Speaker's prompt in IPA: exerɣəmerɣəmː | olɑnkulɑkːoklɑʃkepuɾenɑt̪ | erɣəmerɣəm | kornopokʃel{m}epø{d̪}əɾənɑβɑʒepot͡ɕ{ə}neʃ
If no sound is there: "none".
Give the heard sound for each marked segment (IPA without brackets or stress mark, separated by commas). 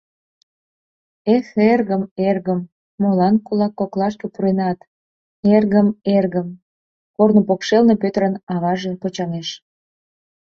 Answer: n, t̪, ɑ